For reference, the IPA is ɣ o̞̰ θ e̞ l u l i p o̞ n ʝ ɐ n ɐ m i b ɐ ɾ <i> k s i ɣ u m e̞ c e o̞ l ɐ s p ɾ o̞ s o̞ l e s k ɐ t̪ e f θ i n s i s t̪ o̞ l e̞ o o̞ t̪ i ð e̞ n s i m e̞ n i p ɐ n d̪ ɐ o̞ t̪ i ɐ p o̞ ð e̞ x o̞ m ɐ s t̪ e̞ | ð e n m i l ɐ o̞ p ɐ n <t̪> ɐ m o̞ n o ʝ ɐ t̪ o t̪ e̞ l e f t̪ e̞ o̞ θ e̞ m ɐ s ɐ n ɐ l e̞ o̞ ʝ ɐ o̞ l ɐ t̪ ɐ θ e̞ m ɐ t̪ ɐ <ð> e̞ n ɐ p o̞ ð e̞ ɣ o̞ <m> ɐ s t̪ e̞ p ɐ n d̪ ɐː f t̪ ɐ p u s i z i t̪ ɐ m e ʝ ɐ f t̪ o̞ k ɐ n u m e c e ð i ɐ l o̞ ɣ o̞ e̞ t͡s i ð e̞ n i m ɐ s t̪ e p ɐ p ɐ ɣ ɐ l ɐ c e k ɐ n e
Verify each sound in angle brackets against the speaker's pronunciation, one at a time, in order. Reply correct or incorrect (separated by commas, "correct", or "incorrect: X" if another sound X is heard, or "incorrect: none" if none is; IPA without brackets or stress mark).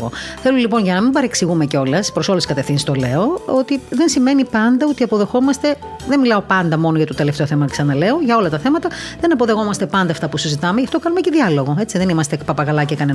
incorrect: e, incorrect: d̪, correct, correct